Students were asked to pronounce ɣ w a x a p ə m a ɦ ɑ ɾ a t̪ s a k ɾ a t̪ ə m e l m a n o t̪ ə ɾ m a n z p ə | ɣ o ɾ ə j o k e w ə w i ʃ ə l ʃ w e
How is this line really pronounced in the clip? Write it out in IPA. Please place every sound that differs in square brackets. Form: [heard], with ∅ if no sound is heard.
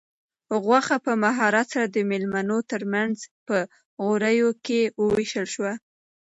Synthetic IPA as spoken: ɣ w a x a p ə m a ɦ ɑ ɾ a t̪ s a [∅] ɾ a [d̪] ə m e l m a n o t̪ ə ɾ m a n z p ə | ɣ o ɾ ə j o k e w ə w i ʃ ə l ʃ w [a]